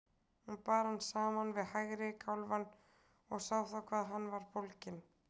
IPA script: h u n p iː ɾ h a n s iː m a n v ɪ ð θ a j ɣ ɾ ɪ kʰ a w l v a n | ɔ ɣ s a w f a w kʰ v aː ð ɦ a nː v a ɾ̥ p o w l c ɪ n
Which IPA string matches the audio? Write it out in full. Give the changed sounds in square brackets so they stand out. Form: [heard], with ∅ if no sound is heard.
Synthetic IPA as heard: h u n p [aː] ɾ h a n s [aː] m a n v ɪ ð [h] a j ɣ ɾ ɪ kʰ a w l v a n | ɔ ɣ s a w [θ] a w kʰ v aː ð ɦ a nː v a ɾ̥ p o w l c ɪ n